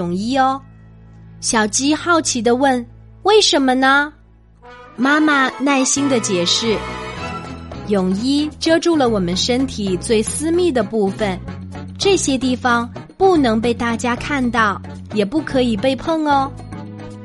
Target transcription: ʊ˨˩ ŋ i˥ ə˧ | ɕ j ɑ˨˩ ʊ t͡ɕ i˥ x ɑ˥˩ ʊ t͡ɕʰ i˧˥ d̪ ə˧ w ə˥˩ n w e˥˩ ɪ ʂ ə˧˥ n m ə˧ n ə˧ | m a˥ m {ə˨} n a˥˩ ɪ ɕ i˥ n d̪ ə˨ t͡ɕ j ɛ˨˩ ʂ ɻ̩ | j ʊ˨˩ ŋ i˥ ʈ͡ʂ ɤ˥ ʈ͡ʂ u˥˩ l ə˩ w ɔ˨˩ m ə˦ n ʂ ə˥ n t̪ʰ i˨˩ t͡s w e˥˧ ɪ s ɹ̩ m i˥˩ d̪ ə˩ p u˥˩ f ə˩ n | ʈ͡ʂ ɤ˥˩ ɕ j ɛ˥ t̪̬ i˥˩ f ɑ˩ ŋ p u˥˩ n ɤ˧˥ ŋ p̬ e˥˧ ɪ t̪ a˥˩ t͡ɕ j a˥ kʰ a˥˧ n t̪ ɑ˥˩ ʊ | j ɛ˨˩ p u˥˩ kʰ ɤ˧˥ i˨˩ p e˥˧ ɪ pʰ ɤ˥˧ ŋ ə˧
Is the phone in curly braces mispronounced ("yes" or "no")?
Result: yes